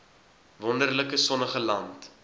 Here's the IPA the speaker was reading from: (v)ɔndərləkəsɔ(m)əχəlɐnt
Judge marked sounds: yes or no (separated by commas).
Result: yes, no